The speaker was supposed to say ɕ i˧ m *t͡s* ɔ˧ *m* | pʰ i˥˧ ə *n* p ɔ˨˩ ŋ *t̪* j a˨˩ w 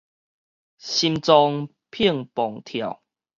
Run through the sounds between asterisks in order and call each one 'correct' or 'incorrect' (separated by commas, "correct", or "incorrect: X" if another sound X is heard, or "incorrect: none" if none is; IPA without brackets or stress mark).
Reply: correct, incorrect: ŋ, incorrect: ŋ, incorrect: t̪ʰ